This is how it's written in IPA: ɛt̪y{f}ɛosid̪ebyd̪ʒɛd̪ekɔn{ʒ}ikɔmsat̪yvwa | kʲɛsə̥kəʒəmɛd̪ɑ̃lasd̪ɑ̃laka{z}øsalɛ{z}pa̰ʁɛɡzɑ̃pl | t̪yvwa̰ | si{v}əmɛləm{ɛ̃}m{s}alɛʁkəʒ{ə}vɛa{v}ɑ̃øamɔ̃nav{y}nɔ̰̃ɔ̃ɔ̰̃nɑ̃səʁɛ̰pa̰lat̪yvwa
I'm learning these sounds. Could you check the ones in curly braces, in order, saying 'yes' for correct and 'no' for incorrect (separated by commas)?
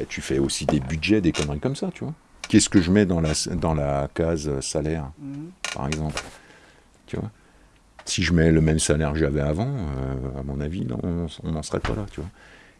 yes, no, yes, no, no, no, yes, no, yes, no